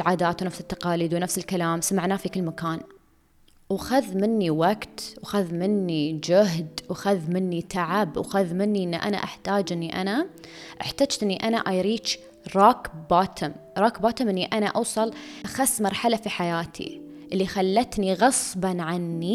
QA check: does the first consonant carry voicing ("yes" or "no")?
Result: yes